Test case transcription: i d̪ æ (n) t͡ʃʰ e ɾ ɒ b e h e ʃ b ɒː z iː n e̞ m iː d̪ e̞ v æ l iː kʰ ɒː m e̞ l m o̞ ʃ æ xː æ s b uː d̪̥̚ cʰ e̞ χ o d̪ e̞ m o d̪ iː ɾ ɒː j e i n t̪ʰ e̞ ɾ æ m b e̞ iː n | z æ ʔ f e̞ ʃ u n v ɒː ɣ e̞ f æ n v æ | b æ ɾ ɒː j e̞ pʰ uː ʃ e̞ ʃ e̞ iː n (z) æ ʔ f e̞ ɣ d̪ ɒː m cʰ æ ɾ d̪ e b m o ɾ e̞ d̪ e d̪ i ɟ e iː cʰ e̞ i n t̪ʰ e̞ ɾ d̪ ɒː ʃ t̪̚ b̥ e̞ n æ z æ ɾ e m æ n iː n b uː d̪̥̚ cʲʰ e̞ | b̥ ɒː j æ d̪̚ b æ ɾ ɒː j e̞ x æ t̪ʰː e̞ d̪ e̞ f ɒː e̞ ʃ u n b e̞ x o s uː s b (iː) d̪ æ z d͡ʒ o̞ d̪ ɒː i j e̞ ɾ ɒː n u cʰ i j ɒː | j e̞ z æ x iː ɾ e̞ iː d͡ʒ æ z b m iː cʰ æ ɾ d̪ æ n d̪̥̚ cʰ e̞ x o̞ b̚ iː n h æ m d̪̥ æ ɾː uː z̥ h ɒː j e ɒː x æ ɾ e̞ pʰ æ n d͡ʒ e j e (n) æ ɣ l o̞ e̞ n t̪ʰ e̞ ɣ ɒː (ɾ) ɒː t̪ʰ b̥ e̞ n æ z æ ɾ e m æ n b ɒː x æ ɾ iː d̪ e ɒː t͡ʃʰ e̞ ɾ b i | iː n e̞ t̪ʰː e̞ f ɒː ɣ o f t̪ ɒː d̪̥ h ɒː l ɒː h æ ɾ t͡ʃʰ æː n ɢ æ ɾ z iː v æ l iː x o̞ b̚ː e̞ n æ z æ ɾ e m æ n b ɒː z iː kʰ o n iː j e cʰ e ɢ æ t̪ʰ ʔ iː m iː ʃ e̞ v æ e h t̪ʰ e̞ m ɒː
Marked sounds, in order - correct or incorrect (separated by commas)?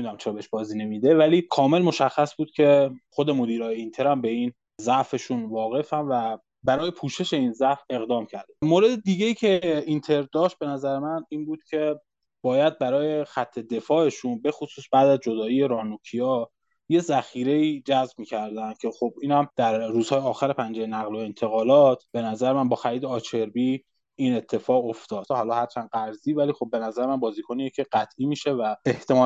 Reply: incorrect, correct, incorrect, correct, incorrect